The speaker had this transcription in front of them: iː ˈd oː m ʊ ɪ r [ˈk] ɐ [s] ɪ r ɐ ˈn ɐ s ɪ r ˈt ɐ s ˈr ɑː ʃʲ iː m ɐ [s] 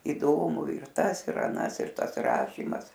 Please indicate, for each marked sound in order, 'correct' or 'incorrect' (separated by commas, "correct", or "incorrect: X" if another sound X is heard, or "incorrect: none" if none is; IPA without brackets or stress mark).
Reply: incorrect: t, correct, correct